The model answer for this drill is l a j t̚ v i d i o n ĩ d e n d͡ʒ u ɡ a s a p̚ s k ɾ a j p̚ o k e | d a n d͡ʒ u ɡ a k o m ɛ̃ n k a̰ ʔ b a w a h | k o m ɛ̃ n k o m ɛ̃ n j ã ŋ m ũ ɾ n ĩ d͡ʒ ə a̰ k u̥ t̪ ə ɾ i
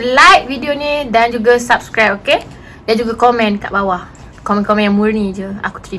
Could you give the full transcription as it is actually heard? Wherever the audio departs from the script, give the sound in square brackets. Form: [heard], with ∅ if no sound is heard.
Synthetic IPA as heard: l a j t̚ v i d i o n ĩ d [a] n d͡ʒ u ɡ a s a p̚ s k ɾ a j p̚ o k e | d a n d͡ʒ u ɡ a k o m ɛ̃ n k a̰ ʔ b a w a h | k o m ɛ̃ n k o m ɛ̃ n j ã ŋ m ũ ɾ n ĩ d͡ʒ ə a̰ k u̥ t̪ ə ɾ i

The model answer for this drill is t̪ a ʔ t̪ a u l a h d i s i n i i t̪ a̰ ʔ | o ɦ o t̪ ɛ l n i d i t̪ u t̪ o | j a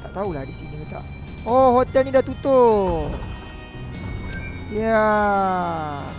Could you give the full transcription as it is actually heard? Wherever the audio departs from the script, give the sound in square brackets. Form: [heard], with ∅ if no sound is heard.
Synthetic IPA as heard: t̪ a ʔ t̪ a u l a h d i s i n i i t̪ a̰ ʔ | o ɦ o t̪ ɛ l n i d [a] t̪ u t̪ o | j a

